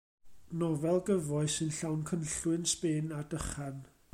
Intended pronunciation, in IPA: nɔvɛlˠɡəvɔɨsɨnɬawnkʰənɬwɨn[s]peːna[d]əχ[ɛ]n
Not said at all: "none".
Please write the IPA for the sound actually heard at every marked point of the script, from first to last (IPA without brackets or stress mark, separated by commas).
s, d, a